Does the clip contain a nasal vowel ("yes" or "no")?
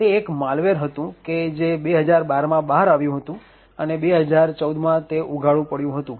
yes